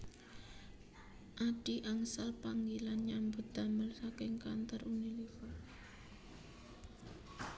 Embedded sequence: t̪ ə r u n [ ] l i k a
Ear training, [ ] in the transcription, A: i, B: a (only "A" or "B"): A